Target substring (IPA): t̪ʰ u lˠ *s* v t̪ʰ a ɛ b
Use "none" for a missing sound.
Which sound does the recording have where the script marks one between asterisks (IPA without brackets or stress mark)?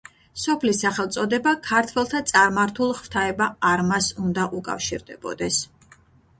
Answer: χ